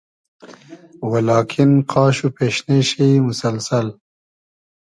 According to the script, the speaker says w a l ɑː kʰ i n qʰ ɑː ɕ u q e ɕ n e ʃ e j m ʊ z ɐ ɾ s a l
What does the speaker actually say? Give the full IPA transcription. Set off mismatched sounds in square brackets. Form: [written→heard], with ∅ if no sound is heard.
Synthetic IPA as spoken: w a l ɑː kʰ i n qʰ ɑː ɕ u [q→p] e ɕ n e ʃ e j m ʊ [z→s] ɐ [ɾ→l] s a l